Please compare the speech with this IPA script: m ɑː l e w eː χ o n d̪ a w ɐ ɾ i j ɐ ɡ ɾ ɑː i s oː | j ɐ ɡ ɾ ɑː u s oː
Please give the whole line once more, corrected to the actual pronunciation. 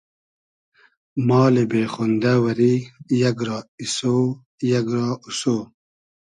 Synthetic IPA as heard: m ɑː l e b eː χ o n d̪ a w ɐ ɾ i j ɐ ɡ ɾ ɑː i s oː | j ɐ ɡ ɾ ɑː u s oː